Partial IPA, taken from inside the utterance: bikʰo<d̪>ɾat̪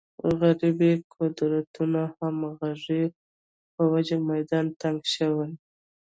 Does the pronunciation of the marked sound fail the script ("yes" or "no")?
no